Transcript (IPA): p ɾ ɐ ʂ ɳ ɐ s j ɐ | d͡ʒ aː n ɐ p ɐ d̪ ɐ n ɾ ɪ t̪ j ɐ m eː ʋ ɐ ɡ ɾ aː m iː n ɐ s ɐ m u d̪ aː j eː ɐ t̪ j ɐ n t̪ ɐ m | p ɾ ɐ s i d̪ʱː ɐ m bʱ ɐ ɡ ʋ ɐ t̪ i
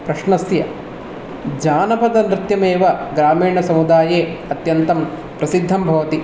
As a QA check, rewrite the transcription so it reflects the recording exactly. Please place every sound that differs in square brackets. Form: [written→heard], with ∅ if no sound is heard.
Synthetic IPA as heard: p ɾ ɐ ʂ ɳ ɐ s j ɐ | d͡ʒ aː n ɐ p ɐ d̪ ɐ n ɾ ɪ t̪ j ɐ m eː ʋ ɐ ɡ ɾ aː m iː [n→ɳ] ɐ s ɐ m u d̪ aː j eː ɐ t̪ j ɐ n t̪ ɐ m | p ɾ ɐ s i d̪ʱː ɐ m bʱ ɐ [ɡ→∅] ʋ ɐ t̪ i